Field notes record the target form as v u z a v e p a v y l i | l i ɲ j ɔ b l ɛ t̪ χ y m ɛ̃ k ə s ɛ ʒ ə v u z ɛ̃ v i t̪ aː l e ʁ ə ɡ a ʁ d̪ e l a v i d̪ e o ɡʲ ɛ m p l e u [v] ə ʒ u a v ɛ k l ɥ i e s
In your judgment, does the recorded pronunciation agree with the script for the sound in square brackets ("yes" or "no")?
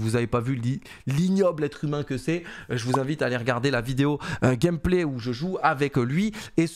no